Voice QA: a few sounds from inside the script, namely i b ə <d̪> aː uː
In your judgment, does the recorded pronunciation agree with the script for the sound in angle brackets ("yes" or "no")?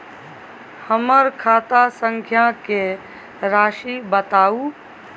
no